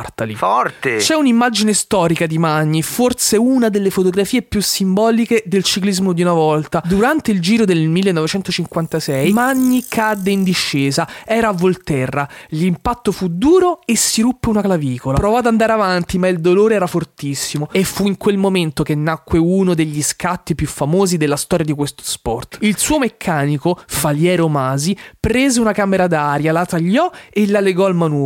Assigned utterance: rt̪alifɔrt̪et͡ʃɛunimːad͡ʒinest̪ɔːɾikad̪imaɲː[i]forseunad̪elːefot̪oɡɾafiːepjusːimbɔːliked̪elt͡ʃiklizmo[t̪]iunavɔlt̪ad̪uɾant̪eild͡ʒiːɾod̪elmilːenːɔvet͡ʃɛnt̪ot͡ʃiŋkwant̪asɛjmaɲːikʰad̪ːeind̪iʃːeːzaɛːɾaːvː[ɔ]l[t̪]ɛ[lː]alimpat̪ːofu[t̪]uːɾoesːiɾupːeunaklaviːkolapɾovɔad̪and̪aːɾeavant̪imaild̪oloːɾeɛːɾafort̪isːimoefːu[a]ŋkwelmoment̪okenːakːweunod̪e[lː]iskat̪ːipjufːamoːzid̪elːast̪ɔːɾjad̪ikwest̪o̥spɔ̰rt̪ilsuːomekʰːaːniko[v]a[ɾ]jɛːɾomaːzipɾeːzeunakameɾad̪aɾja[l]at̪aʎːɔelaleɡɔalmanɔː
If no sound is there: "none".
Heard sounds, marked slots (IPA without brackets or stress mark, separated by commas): i, d̪, o, t̪, rː, d̪, i, ʎː, f, l, l